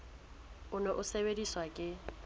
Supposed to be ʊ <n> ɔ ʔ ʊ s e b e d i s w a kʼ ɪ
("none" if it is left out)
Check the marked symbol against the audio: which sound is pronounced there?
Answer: n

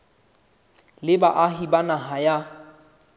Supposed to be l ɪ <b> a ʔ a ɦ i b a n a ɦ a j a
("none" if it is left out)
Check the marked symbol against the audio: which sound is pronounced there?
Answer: b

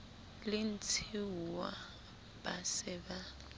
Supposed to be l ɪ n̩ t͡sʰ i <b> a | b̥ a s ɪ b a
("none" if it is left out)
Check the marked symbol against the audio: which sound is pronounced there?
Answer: w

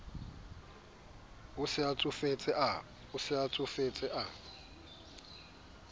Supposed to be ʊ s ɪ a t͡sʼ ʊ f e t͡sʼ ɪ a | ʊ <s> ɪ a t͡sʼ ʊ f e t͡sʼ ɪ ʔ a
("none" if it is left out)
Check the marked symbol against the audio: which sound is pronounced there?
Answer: s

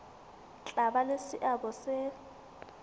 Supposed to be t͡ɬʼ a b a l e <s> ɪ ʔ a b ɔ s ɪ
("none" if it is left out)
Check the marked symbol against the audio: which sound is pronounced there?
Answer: s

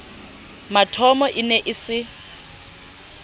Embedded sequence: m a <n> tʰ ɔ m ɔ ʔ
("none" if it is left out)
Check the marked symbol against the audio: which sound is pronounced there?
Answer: none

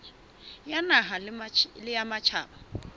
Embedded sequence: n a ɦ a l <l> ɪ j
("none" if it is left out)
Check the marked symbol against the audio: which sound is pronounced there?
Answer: l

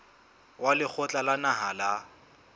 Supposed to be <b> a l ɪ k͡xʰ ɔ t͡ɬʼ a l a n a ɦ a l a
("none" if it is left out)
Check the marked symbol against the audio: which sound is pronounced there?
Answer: w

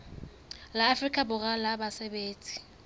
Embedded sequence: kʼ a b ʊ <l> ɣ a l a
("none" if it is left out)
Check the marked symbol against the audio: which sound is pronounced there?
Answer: none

